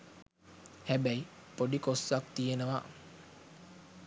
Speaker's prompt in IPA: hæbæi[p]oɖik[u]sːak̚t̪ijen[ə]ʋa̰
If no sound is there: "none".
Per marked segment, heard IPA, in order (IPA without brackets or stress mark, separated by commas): p, o, ə